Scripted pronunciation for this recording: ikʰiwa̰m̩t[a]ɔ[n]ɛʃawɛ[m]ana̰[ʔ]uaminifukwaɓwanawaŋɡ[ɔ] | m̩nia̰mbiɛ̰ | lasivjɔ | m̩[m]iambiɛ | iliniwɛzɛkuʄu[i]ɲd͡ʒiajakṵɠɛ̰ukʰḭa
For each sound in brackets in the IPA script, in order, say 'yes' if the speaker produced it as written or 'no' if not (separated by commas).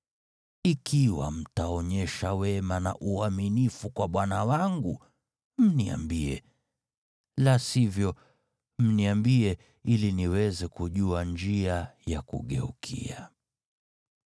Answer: yes, no, yes, yes, no, no, no